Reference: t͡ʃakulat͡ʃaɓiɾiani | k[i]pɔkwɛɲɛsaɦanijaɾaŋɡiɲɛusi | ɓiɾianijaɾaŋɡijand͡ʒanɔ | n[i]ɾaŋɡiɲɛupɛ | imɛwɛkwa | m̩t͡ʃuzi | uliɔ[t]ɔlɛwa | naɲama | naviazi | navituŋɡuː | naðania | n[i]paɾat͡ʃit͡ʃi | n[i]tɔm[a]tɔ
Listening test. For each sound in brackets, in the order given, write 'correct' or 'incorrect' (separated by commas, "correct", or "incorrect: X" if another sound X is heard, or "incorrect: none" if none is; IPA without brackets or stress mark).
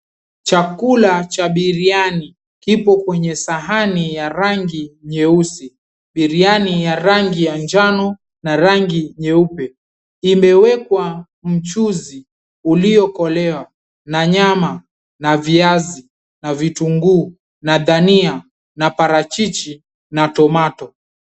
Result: correct, incorrect: a, incorrect: k, incorrect: a, incorrect: a, correct